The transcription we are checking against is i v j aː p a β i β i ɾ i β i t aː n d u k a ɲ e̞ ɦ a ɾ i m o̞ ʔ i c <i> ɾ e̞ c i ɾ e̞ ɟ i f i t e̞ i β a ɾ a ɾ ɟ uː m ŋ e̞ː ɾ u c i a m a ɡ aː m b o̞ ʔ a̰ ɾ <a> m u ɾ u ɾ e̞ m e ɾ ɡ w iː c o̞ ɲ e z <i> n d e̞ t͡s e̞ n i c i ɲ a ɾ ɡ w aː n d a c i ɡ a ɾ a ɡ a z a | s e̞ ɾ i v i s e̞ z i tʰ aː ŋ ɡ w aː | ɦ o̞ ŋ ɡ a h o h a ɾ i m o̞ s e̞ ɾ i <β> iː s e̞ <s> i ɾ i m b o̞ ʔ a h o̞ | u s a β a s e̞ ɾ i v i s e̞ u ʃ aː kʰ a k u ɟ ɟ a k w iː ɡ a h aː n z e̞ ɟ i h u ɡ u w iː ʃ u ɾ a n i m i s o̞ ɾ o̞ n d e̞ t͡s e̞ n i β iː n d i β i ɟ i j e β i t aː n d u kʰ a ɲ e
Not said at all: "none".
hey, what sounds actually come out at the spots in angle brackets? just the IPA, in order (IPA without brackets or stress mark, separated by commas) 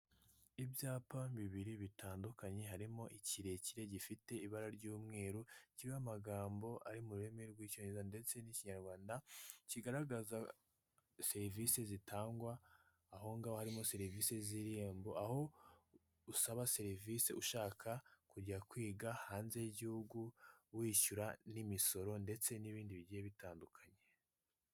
i, i, a, v, z